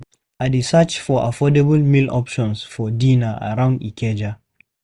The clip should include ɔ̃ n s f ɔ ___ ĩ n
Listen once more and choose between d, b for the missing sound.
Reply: d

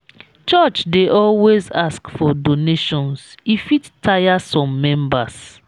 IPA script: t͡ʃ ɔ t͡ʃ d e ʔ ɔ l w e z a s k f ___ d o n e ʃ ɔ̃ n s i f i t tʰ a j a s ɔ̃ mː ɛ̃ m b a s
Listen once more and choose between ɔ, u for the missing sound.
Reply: ɔ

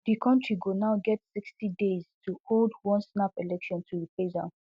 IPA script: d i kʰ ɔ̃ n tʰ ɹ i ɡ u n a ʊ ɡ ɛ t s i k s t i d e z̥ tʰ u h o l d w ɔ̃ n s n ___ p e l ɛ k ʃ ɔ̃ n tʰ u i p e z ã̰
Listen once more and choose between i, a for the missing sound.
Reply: a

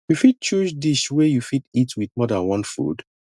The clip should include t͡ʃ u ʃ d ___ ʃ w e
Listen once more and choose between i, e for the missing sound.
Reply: i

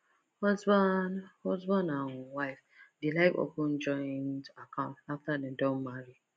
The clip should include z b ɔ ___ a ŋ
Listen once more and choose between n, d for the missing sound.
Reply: n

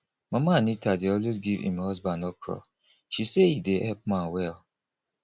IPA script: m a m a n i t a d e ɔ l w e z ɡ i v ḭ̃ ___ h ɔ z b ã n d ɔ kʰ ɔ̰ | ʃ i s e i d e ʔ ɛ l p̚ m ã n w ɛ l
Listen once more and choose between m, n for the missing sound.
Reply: m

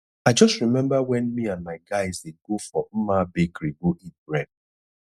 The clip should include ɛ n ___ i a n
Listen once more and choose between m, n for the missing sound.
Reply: m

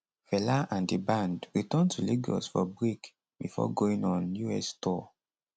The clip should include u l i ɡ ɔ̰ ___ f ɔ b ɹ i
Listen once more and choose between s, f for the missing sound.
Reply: s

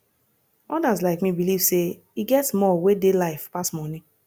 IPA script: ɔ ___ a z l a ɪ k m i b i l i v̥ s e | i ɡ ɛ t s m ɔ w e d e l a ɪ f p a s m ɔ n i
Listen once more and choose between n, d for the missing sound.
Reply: d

